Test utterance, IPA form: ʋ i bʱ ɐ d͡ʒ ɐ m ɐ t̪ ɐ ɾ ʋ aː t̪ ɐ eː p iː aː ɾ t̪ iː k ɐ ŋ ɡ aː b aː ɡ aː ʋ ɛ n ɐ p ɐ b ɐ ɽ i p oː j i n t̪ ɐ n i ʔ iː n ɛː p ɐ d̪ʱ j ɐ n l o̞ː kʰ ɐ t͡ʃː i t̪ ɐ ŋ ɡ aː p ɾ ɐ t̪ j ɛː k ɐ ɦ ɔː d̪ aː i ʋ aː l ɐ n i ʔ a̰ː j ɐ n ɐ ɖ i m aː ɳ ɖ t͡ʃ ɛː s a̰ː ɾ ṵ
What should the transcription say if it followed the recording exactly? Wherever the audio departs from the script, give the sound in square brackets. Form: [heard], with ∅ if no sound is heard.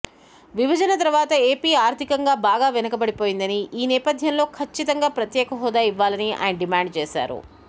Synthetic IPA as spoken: ʋ i bʱ ɐ d͡ʒ ɐ [n] ɐ t̪ ɐ ɾ ʋ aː t̪ ɐ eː p iː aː ɾ t̪ [i] k ɐ ŋ ɡ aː b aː ɡ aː ʋ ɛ n ɐ [k] ɐ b ɐ ɽ i p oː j i n [d̪] ɐ n i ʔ iː n ɛː p ɐ d̪ʱ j ɐ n l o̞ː kʰ ɐ t͡ʃː i t̪ ɐ ŋ ɡ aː p ɾ ɐ t̪ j ɛː k ɐ ɦ ɔː d̪ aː i [ʋː] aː l ɐ n i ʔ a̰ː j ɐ n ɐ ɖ i m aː ɳ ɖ t͡ʃ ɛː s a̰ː ɾ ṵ